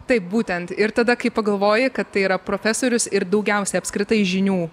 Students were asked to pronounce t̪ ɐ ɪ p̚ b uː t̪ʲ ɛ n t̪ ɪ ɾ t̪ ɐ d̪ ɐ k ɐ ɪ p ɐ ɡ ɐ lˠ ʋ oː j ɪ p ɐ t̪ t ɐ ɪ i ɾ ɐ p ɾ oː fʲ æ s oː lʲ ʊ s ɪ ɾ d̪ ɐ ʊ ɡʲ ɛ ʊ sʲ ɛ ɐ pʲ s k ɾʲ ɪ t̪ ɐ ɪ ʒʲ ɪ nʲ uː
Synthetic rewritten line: t̪ ɐ ɪ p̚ b uː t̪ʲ ɛ n t̪ ɪ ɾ t̪ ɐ d̪ ɐ k ɐ ɪ p ɐ ɡ ɐ lˠ ʋ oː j ɪ k ɐ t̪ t ɐ ɪ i ɾ ɐ p ɾ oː fʲ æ s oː ɾʲ ʊ s ɪ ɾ d̪ ɐ ʊ ɡʲ ɛ ʊ sʲ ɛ ɐ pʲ s k ɾʲ ɪ t̪ ɐ ɪ ʒʲ ɪ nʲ uː